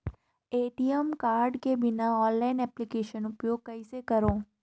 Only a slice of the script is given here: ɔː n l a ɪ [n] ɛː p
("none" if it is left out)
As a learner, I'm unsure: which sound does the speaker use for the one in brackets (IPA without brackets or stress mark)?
n